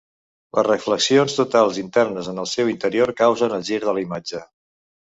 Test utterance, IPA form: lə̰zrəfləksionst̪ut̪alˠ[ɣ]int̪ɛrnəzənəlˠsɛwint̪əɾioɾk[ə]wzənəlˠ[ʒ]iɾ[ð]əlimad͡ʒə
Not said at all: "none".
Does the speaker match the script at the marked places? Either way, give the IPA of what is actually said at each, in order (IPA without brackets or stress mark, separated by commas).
z, a, ʒ, ð